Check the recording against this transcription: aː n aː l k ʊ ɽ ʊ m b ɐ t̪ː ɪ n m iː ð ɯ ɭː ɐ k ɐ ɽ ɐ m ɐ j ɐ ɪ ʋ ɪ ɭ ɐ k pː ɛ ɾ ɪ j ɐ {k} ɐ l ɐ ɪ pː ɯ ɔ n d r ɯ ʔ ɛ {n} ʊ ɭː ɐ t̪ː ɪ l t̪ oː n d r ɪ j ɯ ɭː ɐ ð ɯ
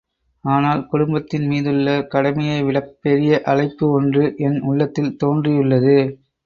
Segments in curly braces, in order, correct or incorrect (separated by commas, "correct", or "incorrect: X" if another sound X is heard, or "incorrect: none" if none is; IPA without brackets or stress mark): incorrect: ʔ, correct